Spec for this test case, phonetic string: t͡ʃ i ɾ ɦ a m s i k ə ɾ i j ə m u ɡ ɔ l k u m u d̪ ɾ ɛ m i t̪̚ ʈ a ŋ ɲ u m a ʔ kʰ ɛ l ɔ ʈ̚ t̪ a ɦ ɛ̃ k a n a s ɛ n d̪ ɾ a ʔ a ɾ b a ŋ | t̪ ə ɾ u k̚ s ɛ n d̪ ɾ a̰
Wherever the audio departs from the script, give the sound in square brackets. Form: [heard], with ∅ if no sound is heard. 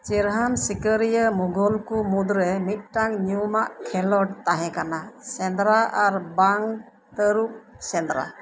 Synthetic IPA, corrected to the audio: t͡ʃ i ɾ ɦ a m s i k ə ɾ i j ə m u ɡ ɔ l k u m u d̪ ɾ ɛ m i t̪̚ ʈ a ŋ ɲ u m a ʔ kʰ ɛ l ɔ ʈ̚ t̪ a ɦ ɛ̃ k a n a s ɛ n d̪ ɾ a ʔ a ɾ b a ŋ | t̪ ə ɾ u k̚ s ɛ n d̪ ɾ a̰